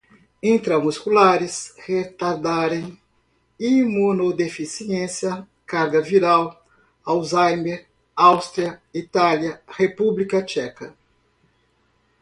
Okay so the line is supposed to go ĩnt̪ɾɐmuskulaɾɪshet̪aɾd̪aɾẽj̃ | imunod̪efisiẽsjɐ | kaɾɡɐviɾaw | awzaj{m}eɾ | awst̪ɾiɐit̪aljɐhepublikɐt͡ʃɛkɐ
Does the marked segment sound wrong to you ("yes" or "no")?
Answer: no